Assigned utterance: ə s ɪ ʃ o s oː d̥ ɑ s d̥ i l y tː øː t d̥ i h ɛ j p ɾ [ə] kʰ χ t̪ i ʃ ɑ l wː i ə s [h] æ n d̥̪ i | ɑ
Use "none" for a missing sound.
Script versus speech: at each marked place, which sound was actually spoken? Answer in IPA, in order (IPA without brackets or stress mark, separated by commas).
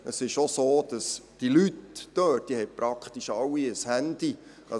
ɑ, h